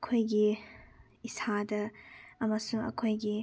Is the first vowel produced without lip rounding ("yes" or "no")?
no